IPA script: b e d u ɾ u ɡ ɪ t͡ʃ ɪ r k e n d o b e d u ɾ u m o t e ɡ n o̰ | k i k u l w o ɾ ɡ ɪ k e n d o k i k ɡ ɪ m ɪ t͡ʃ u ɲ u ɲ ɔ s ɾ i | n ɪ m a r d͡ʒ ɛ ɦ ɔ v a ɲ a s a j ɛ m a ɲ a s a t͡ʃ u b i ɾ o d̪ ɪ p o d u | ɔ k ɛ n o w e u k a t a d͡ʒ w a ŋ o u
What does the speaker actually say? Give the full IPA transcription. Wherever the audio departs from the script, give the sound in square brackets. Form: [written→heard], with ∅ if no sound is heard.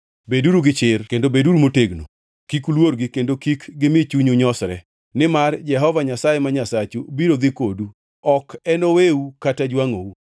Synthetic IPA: b e d u ɾ u ɡ ɪ t͡ʃ ɪ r k e n d o b e d u ɾ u m o t e ɡ n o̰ | k i k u l w o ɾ ɡ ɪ k e n d o k i k ɡ ɪ m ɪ t͡ʃ u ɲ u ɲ ɔ s ɾ [i→ɛ] | n ɪ m a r d͡ʒ ɛ ɦ ɔ v a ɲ a s a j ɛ m a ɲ a s a t͡ʃ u b i ɾ o d̪ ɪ [p→k] o d u | ɔ k ɛ n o w e u k a t a d͡ʒ w a ŋ o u